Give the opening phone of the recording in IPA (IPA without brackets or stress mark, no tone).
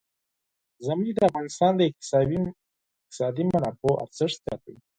z